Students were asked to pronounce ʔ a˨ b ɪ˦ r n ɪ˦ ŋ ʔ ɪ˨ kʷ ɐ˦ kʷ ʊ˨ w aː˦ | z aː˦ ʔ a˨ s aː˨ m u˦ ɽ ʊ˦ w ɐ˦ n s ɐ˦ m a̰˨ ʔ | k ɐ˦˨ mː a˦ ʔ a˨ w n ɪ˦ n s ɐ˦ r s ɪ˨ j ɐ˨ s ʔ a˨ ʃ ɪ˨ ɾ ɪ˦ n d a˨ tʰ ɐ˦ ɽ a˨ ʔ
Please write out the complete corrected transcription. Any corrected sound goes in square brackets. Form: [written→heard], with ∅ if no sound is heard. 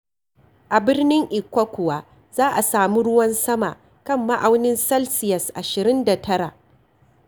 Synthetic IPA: ʔ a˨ b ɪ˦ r n ɪ˦ ŋ ʔ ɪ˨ kʷ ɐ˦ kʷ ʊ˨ w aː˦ | z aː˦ ʔ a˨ s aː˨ m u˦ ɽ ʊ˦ w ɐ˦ n s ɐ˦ m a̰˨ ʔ | k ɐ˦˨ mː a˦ ʔ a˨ w n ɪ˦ n s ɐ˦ [r→l] s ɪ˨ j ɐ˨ s ʔ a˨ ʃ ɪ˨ ɾ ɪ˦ n d a˨ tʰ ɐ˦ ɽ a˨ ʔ